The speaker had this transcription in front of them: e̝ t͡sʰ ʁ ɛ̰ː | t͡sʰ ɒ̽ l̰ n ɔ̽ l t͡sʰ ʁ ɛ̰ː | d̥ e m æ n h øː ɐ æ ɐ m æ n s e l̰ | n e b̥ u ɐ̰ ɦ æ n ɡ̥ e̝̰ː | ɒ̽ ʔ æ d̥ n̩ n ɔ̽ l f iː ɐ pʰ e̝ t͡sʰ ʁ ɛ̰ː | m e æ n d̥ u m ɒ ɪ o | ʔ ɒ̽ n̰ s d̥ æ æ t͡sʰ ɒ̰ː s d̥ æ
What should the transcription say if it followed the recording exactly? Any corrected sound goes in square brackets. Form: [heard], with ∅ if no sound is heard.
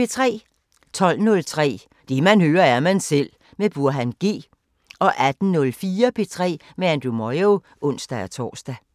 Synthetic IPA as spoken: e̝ t͡sʰ ʁ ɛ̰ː | t͡sʰ ɒ̽ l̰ n ɔ̽ l t͡sʰ ʁ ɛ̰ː | d̥ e m æ n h øː ɐ æ ɐ m æ n s e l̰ | [m] e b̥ u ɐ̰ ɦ æ n ɡ̥ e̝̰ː | ɒ̽ ʔ æ d̥ n̩ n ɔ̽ l f iː ɐ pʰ e̝ t͡sʰ ʁ ɛ̰ː | m e æ n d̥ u m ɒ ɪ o | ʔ [ɔ̽] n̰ s d̥ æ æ t͡sʰ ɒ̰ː s d̥ æ